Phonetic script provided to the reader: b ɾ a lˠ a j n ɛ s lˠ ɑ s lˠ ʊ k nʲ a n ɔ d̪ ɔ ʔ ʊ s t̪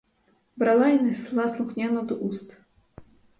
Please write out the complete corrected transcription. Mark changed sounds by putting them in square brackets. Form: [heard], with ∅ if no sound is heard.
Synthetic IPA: b ɾ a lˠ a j n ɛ s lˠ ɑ s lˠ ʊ [x] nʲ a n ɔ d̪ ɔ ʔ [u] s t̪